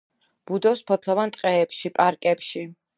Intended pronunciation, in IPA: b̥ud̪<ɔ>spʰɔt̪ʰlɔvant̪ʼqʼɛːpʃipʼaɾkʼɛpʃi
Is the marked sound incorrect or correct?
correct